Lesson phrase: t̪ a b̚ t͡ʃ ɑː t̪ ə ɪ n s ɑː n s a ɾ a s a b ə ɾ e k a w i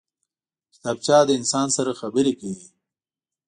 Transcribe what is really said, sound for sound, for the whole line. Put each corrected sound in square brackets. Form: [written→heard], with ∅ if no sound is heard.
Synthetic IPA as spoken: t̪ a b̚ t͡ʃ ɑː [t̪→d̪] ə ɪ n s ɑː n s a ɾ a [s→x] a b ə ɾ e k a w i